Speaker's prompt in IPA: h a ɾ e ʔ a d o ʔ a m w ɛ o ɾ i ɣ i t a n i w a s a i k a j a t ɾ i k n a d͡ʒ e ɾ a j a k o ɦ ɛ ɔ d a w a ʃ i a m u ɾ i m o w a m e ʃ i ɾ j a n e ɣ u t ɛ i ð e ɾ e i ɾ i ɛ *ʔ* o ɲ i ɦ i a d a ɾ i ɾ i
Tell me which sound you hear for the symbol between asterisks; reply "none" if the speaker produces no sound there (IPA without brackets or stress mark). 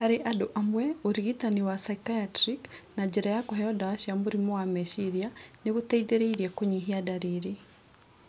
k